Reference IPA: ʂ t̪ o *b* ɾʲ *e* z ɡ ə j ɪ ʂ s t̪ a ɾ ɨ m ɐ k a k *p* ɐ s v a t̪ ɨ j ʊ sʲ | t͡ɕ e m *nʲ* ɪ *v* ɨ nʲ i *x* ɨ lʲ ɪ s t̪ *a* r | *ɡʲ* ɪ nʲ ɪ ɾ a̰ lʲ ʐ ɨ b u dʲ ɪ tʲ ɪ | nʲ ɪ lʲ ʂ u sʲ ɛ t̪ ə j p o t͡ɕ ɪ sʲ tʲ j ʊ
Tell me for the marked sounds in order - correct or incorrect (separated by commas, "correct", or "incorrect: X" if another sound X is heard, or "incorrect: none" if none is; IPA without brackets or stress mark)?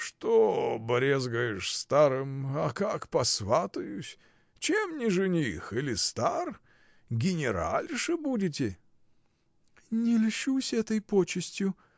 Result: correct, correct, correct, correct, incorrect: ʐ, correct, correct, correct